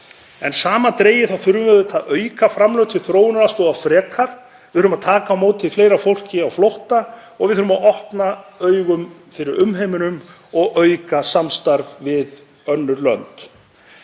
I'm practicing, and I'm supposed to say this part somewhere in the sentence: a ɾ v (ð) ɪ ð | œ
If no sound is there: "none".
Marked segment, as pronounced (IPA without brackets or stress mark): v